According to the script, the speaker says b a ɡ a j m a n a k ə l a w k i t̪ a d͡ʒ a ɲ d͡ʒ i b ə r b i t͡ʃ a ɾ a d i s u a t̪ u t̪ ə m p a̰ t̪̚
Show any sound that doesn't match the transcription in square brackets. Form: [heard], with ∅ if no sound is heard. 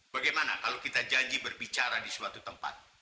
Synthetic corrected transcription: b a ɡ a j m a n a k [a] l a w k i t̪ a d͡ʒ a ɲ d͡ʒ i b ə r b i t͡ʃ a ɾ a d i s u a t̪ u t̪ ə m p a̰ t̪̚